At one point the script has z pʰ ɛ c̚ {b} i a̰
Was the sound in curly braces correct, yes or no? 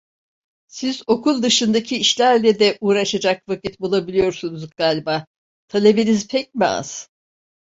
no